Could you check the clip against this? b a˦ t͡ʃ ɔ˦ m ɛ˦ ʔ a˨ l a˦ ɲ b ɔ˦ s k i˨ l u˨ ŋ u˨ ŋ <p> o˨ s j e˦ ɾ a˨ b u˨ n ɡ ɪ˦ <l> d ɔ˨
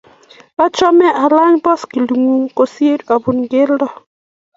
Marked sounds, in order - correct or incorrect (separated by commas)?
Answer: incorrect, correct